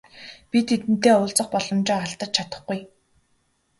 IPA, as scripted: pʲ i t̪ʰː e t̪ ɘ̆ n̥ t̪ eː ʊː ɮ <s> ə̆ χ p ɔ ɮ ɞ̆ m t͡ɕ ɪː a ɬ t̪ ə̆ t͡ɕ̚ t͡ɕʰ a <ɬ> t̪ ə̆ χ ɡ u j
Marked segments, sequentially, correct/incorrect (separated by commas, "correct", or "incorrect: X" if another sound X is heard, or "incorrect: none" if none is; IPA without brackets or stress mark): incorrect: t͡s, incorrect: none